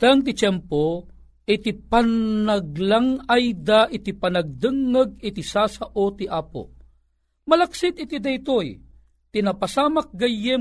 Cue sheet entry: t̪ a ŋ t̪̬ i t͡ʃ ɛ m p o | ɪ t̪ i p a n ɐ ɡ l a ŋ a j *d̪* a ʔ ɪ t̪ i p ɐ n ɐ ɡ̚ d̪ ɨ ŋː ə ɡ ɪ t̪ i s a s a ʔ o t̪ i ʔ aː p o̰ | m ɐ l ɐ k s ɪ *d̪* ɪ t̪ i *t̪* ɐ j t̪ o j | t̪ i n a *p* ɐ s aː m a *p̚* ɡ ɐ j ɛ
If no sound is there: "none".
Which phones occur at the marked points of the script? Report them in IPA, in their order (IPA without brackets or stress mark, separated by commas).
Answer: d̪, t̪, d̪, p, k̚